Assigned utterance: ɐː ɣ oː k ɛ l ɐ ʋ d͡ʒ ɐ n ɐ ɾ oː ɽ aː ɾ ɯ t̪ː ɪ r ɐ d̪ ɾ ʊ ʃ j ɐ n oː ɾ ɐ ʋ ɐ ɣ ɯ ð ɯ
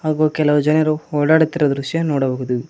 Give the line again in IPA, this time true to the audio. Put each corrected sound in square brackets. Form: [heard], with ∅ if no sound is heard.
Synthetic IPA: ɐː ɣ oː k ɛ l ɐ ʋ d͡ʒ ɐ n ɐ ɾ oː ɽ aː [ɽ] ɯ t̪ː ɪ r ɐ d̪ ɾ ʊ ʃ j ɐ n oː [ɽ] ɐ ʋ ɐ ɣ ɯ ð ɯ